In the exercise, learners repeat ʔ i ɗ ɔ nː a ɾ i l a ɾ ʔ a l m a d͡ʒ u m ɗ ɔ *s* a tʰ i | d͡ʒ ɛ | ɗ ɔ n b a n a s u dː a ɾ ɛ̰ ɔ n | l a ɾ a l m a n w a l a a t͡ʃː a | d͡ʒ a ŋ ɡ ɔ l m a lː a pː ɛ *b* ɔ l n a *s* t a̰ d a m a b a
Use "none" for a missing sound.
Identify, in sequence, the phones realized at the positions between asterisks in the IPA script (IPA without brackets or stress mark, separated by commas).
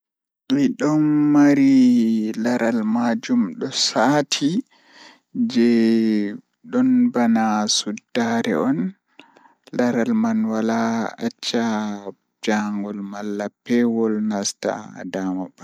s, w, s